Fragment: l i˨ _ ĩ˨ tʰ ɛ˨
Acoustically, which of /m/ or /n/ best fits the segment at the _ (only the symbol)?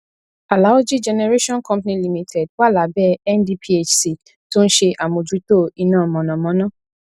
m